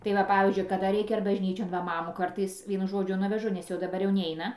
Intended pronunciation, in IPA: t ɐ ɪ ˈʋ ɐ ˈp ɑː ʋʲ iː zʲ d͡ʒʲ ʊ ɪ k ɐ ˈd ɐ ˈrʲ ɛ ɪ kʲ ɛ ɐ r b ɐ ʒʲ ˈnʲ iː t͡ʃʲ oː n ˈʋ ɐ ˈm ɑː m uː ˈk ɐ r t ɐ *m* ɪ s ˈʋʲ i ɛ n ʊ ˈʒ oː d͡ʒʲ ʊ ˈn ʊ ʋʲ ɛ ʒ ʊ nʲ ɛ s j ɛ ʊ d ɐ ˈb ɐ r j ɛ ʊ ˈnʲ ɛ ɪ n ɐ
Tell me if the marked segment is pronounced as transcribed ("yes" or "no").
no